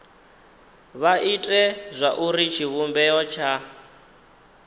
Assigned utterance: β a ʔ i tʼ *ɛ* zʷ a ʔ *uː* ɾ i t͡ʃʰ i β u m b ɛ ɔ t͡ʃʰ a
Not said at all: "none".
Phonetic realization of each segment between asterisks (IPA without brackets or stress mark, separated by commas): ɛ, u